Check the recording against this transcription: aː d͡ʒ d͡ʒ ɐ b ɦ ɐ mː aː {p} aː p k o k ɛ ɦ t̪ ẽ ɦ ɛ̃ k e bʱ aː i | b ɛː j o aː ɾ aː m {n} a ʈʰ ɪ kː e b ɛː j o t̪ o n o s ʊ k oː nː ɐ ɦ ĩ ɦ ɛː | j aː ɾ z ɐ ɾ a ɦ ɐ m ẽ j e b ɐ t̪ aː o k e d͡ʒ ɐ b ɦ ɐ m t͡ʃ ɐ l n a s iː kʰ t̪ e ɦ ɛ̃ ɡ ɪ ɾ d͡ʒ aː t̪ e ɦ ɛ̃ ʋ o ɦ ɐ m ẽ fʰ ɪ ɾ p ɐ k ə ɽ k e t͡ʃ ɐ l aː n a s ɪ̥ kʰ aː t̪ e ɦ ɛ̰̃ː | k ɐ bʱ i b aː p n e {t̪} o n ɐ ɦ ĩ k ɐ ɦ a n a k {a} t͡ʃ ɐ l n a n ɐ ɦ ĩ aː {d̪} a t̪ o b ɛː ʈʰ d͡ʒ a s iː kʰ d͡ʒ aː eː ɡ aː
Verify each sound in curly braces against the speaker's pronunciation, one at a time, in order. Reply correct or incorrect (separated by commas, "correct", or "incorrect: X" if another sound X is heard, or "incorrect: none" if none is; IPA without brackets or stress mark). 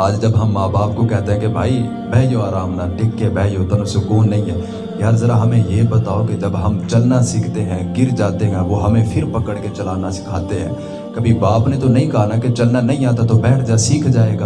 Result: incorrect: b, correct, correct, incorrect: e, incorrect: t̪